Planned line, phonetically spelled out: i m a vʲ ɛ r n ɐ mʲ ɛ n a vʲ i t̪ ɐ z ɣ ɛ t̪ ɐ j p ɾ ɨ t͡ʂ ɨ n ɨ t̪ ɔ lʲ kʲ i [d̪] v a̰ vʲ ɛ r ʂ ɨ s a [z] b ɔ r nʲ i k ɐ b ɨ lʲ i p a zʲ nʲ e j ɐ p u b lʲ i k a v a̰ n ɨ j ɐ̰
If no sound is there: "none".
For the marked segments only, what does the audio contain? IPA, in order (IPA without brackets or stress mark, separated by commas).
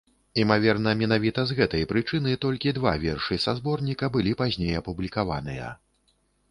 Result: d̪, z